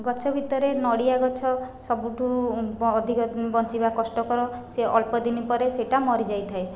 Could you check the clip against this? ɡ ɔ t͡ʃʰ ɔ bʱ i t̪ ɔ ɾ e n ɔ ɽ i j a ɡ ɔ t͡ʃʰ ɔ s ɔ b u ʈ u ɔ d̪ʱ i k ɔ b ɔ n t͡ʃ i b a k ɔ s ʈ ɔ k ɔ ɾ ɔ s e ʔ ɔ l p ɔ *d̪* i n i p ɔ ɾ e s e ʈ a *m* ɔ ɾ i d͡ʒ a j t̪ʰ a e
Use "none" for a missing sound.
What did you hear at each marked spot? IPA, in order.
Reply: d̪, m

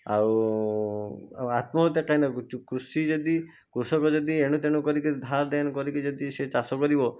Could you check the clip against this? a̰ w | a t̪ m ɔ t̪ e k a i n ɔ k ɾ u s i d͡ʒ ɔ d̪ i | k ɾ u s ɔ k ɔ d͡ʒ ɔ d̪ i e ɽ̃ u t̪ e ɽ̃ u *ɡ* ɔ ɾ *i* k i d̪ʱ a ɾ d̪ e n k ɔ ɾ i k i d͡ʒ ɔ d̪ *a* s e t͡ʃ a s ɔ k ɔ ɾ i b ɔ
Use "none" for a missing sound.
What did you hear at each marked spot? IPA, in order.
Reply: k, i, i

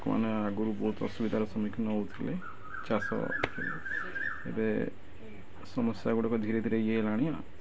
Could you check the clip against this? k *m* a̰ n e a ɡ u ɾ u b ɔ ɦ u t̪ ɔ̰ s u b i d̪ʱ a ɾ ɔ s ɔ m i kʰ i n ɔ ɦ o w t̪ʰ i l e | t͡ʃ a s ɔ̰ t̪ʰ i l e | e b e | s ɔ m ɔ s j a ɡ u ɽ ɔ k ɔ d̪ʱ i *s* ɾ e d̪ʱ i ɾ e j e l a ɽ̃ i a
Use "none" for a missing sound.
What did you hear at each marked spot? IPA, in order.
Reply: m, none

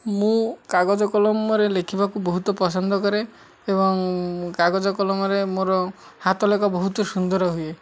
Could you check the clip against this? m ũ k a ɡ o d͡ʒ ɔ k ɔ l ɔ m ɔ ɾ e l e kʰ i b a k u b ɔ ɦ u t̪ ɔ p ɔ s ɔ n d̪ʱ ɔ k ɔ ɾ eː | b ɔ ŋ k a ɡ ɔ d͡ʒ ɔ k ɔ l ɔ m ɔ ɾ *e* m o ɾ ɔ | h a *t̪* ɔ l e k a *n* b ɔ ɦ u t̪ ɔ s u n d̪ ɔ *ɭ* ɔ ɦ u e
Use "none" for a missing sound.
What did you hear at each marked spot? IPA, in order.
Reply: e, t̪, none, ɾ

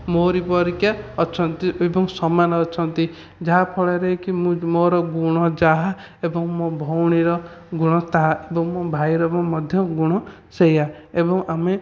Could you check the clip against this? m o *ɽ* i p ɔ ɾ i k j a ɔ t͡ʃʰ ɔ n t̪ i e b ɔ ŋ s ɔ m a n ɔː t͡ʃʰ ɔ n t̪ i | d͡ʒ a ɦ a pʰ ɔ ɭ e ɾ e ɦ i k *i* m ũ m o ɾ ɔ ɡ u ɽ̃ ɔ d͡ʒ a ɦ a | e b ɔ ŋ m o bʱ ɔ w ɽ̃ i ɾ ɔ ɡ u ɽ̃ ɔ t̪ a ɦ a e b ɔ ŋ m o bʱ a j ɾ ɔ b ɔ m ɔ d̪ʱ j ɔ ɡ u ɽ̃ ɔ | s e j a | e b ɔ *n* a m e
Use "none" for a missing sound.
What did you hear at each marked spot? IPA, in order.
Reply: ɾ, i, ŋ

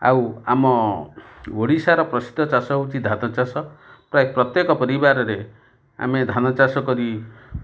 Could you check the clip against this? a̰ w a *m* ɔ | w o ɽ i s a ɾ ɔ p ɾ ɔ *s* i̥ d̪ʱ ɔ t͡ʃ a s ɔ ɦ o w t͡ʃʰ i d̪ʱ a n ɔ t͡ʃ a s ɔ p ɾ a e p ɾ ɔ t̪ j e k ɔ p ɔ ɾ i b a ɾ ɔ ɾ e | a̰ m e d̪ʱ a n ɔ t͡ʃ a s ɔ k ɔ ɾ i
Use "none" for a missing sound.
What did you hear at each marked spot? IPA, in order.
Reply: m, s

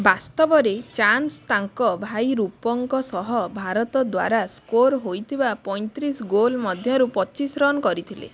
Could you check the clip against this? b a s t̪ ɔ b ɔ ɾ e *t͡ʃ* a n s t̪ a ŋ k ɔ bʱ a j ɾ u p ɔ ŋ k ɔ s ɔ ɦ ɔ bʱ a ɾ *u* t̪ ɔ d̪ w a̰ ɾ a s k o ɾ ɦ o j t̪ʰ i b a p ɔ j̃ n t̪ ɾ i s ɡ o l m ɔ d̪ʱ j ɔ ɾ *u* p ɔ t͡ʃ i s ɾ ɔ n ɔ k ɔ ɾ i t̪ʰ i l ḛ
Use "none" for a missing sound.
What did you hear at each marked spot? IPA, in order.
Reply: t͡ʃ, ɔ, u

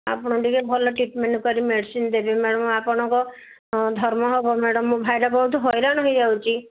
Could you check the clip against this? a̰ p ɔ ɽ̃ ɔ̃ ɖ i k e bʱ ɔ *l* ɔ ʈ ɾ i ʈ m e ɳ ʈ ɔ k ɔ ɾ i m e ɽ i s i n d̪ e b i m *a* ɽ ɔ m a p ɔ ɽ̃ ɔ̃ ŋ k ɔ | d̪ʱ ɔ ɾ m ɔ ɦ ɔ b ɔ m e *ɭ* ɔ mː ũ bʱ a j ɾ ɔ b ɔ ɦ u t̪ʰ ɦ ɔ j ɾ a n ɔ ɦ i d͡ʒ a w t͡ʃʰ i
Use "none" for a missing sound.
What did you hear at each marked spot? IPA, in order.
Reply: l, e, ɽ

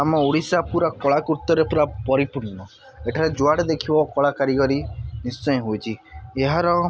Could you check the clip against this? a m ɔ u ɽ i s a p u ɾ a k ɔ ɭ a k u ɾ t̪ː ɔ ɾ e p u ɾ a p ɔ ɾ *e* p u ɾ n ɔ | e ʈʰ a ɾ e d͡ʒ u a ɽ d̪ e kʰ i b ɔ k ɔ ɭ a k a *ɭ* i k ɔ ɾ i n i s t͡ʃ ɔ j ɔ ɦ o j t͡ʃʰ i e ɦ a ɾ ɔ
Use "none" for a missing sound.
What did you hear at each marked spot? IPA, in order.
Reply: i, ɾ

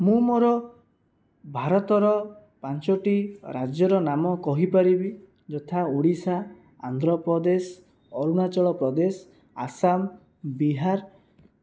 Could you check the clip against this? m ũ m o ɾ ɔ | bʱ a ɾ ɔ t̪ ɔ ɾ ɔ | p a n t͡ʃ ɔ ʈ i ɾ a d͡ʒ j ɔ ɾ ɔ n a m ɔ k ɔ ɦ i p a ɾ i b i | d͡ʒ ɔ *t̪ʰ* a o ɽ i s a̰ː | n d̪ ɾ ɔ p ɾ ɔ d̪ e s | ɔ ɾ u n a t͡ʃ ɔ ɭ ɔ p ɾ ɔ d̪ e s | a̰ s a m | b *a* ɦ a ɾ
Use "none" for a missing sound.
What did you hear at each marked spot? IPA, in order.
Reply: t̪ʰ, i

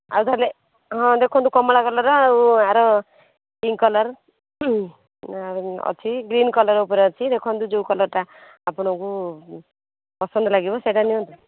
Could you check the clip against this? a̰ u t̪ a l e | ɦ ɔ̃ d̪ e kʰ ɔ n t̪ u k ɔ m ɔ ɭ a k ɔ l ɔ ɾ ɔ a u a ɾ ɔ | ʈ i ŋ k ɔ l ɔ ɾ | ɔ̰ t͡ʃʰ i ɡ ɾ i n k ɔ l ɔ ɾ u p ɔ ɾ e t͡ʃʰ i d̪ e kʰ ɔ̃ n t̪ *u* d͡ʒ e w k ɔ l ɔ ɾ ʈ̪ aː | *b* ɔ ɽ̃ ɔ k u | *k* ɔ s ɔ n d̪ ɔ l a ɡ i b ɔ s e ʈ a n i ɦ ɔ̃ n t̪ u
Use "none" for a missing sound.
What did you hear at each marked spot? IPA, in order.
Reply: u, p, p

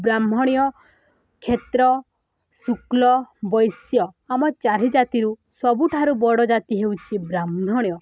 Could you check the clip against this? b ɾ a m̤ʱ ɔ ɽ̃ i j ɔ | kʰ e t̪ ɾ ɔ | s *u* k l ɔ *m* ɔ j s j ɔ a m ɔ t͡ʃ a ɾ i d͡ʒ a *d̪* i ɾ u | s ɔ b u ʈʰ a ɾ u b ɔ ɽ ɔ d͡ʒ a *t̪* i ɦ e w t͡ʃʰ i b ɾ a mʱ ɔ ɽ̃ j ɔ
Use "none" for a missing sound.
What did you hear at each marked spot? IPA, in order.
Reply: u, b, t̪, t̪

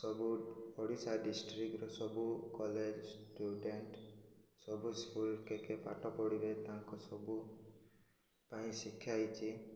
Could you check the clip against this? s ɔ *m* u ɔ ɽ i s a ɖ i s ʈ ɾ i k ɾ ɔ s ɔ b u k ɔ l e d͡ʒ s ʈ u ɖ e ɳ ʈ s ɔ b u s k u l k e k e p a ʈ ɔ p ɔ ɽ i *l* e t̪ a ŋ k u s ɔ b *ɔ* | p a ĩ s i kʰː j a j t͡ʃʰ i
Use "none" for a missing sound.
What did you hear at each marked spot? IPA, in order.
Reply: b, ɾ, u

